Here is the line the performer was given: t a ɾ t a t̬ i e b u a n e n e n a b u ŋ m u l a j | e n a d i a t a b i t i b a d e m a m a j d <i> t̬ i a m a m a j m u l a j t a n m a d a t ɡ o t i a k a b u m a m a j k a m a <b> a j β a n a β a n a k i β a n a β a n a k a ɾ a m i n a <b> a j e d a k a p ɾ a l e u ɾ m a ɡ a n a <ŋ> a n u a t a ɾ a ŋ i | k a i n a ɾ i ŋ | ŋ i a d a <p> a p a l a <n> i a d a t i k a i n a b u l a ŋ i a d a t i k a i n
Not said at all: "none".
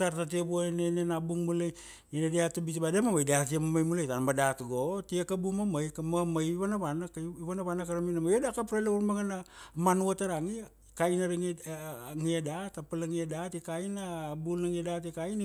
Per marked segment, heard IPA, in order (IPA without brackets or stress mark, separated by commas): a, m, m, m, t, ŋ